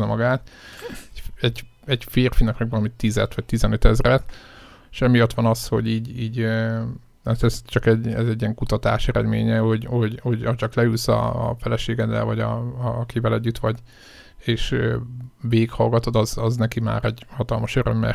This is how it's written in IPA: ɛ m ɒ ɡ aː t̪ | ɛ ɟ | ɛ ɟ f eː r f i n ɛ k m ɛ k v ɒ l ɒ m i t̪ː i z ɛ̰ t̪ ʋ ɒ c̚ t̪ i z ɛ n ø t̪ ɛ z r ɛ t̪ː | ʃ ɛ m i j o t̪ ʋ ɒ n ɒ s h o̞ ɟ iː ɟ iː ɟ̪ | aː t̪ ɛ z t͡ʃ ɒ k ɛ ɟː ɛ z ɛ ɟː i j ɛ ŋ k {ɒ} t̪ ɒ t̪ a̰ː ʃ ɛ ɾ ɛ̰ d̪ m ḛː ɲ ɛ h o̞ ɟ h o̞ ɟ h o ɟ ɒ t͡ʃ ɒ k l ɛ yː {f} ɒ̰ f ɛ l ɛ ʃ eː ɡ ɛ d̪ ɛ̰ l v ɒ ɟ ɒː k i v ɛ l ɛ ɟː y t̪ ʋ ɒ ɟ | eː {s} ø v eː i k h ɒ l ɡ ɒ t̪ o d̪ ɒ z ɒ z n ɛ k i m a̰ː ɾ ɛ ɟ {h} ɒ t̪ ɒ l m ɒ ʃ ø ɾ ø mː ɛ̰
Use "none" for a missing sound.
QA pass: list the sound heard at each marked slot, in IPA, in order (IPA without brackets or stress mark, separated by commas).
u, s, ʃ, h